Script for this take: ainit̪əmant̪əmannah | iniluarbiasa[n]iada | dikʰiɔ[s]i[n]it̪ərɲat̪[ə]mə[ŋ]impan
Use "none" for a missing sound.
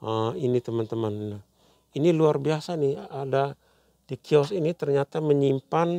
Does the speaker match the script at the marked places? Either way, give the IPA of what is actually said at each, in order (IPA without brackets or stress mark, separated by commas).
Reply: n, s, n, a, ɲ